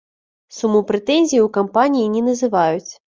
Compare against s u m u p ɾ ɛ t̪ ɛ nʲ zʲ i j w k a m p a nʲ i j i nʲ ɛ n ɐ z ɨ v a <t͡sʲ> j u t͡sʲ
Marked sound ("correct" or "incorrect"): incorrect